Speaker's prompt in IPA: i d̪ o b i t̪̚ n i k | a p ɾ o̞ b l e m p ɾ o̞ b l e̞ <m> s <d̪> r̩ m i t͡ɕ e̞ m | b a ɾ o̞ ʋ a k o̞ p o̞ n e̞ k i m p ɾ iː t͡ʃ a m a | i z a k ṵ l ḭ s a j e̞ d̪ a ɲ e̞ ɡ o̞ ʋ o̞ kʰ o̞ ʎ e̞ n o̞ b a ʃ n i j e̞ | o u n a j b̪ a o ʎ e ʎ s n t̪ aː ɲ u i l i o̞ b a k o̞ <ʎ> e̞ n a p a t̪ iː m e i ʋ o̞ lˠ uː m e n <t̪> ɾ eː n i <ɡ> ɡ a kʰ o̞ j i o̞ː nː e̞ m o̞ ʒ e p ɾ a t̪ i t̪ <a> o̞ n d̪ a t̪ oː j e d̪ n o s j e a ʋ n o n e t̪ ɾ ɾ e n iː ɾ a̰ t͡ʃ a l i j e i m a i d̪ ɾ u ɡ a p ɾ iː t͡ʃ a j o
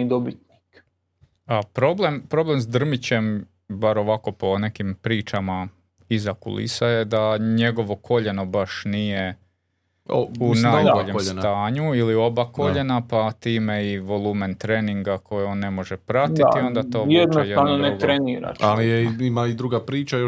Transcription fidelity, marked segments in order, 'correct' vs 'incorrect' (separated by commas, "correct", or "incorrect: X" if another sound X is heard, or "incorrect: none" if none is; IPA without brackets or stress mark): correct, correct, correct, correct, incorrect: ŋ, incorrect: i